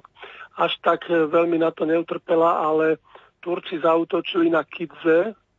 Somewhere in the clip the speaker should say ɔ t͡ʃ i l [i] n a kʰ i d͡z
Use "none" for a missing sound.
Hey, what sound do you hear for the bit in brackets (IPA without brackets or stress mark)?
i